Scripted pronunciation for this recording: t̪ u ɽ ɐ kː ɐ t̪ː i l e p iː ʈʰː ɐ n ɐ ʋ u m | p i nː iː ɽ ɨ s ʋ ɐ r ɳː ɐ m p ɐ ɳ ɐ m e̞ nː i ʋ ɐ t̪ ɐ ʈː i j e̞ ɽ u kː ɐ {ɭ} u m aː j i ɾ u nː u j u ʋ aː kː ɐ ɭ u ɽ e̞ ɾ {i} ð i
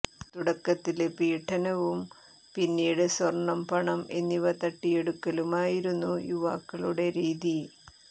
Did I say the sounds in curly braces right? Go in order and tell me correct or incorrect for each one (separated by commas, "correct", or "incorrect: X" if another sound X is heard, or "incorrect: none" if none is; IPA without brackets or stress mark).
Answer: incorrect: l, incorrect: iː